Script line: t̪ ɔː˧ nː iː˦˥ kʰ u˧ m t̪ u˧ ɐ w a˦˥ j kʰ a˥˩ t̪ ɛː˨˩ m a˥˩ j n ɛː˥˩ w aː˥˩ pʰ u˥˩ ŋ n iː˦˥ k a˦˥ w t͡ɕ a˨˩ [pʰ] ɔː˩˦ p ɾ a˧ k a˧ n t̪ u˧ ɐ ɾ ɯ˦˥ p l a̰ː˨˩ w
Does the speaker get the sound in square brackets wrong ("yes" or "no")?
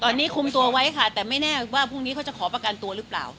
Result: yes